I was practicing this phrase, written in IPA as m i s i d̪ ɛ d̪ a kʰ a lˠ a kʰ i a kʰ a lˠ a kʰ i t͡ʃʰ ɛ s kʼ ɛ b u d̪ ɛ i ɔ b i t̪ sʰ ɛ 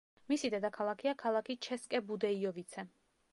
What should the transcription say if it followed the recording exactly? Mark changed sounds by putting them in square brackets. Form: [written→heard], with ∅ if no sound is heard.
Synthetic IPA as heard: m i s i d̪ ɛ d̪ a kʰ a lˠ a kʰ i a kʰ a lˠ a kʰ i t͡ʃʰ ɛ s kʼ ɛ b u d̪ ɛ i ɔ [b→v] i t̪ sʰ ɛ